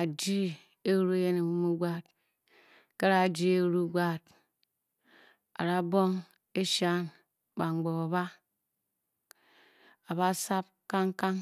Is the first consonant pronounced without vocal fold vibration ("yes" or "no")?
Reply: no